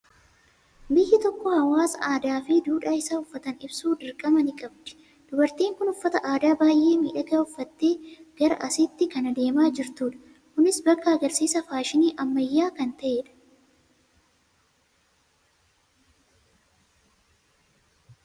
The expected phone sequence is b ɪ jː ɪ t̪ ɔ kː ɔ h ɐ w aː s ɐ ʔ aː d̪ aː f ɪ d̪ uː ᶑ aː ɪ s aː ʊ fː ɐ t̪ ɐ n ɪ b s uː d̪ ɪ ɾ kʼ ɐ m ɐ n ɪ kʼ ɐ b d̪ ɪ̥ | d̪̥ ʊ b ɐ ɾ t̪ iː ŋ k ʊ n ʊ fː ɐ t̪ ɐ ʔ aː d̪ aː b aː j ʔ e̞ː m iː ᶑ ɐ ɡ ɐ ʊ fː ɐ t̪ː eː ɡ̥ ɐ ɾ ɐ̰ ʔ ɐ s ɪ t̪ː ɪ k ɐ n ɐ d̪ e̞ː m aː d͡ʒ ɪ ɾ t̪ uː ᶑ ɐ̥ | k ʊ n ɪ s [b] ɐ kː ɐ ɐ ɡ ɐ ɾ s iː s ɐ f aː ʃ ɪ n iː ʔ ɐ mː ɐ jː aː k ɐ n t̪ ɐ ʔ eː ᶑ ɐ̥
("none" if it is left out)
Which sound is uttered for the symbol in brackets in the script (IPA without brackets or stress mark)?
b